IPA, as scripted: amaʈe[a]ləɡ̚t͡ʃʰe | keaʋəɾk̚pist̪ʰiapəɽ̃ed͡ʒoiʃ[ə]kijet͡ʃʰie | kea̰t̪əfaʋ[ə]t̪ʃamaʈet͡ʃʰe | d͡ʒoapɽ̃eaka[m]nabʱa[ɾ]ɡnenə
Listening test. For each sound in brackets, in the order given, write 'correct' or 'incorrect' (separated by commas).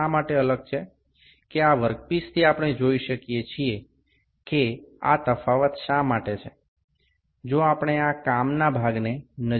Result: incorrect, correct, correct, correct, incorrect